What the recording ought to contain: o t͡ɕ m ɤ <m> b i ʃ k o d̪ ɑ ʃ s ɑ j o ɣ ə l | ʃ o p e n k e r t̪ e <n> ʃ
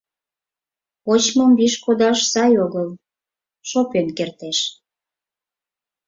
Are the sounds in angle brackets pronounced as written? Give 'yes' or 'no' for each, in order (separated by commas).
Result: yes, no